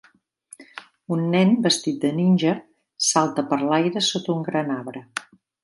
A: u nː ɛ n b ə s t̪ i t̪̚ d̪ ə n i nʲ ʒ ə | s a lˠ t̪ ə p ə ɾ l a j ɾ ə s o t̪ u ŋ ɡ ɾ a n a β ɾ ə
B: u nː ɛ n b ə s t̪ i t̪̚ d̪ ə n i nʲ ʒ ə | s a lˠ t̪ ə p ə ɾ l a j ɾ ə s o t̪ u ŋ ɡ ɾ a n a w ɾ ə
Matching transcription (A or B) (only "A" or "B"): A